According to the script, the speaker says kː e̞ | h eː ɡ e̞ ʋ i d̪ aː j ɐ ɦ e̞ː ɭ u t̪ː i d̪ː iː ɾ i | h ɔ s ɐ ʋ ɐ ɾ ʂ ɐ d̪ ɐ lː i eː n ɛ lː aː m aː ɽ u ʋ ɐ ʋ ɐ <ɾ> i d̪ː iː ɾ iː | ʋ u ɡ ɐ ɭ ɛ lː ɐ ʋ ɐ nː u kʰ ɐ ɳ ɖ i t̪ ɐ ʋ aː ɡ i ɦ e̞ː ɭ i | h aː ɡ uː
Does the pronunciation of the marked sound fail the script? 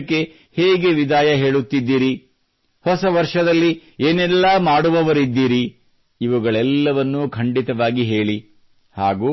no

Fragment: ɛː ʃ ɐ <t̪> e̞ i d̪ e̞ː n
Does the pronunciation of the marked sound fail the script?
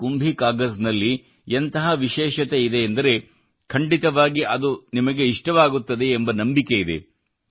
no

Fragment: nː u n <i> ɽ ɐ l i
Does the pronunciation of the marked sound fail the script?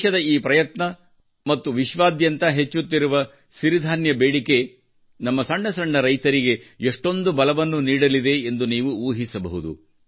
yes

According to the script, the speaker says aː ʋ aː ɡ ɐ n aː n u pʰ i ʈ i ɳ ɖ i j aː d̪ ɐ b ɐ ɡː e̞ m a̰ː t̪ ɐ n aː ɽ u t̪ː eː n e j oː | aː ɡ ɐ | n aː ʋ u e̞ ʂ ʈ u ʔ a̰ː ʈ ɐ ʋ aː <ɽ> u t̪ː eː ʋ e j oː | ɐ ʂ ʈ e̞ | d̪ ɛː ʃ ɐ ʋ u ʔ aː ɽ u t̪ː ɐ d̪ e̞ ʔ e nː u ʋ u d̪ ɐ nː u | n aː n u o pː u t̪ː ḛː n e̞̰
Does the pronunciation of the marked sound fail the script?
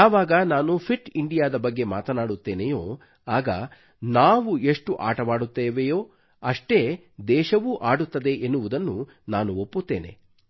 no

